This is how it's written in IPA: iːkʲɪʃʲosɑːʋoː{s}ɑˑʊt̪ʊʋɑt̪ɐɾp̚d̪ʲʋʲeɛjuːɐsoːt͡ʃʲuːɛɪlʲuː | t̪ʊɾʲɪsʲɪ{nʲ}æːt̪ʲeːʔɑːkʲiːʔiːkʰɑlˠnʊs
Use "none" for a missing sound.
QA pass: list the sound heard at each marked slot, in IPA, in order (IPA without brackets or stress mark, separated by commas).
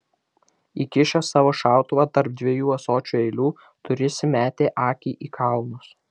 ʃ, mʲ